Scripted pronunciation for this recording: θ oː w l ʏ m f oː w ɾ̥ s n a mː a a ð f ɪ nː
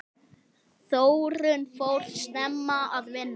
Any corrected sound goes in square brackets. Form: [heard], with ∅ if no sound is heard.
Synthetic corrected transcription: θ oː w [ɾ] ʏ [n] f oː w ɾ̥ s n [ɛ] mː a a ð [v] ɪ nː

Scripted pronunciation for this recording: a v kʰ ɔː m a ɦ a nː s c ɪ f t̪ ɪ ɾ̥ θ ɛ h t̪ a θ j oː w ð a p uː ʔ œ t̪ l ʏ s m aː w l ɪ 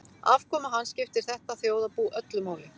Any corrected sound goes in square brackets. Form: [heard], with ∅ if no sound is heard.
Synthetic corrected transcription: a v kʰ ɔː m a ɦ a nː s c ɪ f t̪ ɪ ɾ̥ θ ɛ h t̪ a θ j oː w ð a p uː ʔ œ t̪ l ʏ [∅] m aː w l ɪ

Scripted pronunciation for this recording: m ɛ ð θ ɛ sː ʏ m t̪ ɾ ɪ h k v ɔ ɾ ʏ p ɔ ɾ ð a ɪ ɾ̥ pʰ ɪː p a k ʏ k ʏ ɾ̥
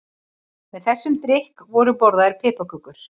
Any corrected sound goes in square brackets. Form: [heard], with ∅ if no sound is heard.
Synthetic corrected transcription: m ɛ ð θ ɛ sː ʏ m t̪ ɾ ɪ h k v ɔ ɾ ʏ p ɔ ɾ ð a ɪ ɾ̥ pʰ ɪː p a k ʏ k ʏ ɾ̥

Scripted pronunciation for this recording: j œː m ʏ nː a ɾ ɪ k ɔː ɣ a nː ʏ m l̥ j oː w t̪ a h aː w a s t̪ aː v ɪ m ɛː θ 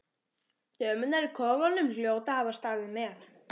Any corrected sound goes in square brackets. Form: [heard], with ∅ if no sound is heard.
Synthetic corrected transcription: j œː m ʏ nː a ɾ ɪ [kʰ] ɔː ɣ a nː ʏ m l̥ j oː w t̪ a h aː [v] a s t̪ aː [ð] ɪ m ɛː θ

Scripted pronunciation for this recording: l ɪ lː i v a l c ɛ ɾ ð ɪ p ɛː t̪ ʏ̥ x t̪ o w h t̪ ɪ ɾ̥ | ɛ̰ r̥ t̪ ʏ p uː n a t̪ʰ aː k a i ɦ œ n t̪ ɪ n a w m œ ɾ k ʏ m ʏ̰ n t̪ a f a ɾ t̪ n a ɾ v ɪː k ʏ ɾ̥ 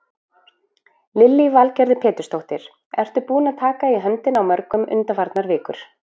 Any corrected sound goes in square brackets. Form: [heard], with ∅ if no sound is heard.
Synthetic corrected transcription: l ɪ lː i v a l c ɛ ɾ ð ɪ [pʰ] ɛː t̪ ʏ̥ [s] t̪ o w h t̪ ɪ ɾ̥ | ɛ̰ r̥ t̪ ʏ p uː n a t̪ʰ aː k a i ɦ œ n t̪ ɪ n a w m œ ɾ k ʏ m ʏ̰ n t̪ a f a ɾ t̪ n a ɾ v ɪː k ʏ ɾ̥

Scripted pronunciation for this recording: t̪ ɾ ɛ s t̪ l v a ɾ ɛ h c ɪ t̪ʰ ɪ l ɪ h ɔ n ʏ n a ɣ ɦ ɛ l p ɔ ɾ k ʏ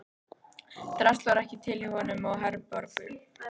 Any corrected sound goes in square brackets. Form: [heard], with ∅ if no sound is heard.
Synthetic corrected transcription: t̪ ɾ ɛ s t̪ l v a ɾ ɛ h c ɪ t̪ʰ ɪ l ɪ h ɔ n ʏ [m] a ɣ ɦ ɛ [ɾ] p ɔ ɾ k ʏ

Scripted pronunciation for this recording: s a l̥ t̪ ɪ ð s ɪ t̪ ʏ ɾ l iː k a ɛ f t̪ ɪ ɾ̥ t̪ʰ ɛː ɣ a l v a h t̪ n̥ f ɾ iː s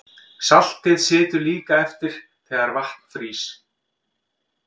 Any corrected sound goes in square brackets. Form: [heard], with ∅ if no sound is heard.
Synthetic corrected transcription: s a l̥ t̪ ɪ ð s [ɪː] t̪ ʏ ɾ l iː k a ɛ f t̪ ɪ ɾ̥ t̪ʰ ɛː ɣ a [ɾ] v a h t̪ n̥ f ɾ iː s

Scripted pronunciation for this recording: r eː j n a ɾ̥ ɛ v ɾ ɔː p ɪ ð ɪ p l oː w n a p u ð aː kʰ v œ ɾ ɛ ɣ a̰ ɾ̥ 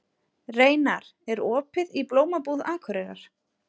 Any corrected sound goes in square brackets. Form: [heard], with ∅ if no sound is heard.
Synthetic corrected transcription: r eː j n a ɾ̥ ɛ [∅] ɾ ɔː p ɪ ð [i] p l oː w [m] a p u ð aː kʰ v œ ɾ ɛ ɣ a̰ ɾ̥

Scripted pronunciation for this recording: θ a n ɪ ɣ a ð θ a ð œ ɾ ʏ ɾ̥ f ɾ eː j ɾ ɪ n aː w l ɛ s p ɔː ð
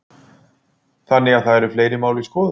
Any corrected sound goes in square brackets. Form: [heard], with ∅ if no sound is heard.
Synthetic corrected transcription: θ a [nː] ɪ ɣ a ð θ a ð [ɛ] ɾ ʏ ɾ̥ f [l] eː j ɾ ɪ [m] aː w l [i] s [k] ɔː ð

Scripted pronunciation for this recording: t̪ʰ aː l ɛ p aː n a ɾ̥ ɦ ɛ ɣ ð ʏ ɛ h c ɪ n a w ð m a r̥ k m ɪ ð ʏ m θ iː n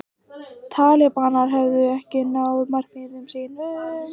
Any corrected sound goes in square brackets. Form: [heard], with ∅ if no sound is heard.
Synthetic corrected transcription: t̪ʰ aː l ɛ p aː n a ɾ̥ ɦ ɛ [v] ð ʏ ɛ h c ɪ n a w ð m a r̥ k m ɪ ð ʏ m [s] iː n

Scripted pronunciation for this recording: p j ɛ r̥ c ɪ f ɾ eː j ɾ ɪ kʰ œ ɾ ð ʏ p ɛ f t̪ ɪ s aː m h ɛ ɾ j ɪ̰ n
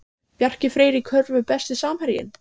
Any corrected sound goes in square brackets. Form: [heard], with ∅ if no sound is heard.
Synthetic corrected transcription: p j [a] r̥ c ɪ f ɾ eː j ɾ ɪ kʰ œ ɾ [v] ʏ p ɛ [s] t̪ ɪ s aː m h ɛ ɾ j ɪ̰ n

